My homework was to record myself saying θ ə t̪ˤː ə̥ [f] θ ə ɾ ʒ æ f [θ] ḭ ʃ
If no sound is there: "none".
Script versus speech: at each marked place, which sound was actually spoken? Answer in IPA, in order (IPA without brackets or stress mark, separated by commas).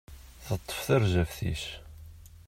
f, θ